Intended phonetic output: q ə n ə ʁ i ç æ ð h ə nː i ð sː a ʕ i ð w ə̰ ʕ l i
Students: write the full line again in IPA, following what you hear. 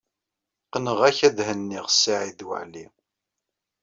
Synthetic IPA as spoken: q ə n ə ʁ æ ç æ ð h ə nː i ʁ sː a ʕ i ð w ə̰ ʕ l i